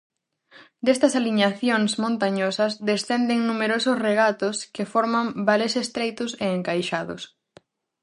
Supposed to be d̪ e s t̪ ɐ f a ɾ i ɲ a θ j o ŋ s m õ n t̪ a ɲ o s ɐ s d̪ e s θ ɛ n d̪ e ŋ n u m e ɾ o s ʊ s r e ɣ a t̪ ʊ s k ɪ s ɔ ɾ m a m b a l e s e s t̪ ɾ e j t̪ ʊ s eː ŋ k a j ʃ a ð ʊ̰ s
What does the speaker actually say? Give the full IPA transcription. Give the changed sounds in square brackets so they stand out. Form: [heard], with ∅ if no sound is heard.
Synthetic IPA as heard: d̪ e s t̪ ɐ [s] a [l] i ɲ a θ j o ŋ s m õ n t̪ a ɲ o s ɐ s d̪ e s θ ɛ n d̪ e ŋ n u m e ɾ o s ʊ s r e ɣ a t̪ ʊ s k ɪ [f] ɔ ɾ m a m b a l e s e s t̪ ɾ e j t̪ ʊ s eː ŋ k a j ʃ a ð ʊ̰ s